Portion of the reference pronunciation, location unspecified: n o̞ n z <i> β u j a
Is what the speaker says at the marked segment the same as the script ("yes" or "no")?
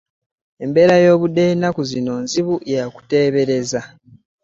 yes